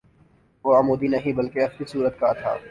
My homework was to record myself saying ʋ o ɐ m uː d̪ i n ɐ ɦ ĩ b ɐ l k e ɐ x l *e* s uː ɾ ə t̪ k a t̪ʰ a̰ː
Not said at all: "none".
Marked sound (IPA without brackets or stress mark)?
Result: i